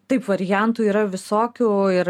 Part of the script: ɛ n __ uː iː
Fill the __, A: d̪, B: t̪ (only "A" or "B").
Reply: B